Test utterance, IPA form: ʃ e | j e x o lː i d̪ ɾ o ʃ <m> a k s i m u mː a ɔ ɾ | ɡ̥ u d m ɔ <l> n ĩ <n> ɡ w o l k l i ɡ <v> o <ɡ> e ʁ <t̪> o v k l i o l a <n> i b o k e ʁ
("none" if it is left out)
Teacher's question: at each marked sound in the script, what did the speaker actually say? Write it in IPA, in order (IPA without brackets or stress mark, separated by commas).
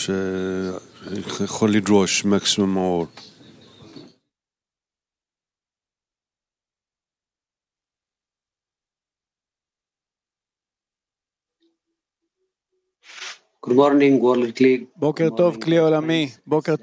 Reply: m, ɾ, ŋ, b, k, t̪, m